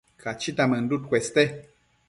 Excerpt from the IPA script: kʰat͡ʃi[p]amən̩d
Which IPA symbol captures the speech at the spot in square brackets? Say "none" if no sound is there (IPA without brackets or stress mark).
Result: t